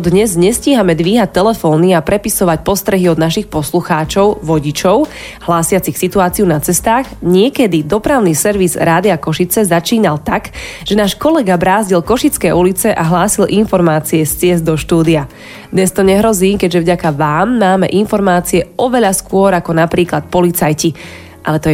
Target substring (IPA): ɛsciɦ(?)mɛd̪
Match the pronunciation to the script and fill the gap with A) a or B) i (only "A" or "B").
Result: A